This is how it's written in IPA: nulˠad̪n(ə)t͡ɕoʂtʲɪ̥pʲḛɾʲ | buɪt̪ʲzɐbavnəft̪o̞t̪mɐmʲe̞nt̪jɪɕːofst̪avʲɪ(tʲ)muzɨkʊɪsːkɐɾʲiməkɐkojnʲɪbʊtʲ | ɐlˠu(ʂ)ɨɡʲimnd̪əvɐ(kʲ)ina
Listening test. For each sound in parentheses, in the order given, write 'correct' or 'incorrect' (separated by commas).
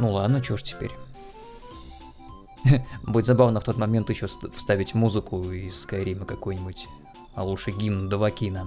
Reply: correct, correct, correct, correct